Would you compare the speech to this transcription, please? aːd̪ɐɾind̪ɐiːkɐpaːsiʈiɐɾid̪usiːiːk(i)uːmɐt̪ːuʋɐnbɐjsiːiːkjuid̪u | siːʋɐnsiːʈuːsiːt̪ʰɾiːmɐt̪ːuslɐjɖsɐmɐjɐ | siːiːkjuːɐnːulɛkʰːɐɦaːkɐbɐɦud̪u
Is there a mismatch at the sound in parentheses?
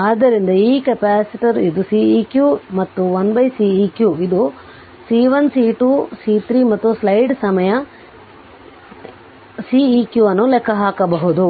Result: yes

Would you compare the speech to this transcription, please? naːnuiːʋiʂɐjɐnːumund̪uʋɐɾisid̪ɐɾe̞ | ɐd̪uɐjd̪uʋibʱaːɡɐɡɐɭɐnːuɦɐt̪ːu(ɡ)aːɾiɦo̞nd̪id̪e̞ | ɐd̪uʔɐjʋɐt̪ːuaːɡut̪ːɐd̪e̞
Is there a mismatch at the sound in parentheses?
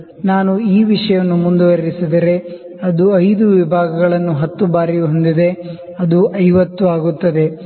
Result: yes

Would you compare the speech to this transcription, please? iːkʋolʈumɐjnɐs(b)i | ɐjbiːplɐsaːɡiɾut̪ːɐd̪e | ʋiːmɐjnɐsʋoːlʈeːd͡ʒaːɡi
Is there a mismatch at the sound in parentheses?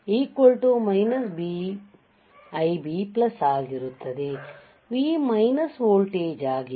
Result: no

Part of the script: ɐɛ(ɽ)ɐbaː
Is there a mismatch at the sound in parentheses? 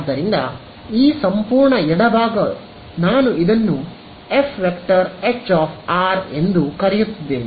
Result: no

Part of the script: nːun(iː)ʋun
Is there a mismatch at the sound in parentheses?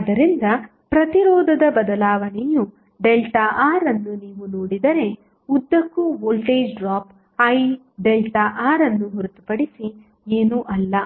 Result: no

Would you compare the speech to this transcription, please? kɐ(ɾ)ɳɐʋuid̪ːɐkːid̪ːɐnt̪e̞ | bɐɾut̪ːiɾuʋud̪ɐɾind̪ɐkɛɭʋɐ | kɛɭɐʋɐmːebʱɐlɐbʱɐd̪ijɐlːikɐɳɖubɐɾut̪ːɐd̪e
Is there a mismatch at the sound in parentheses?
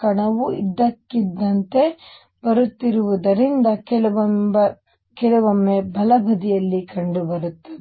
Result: yes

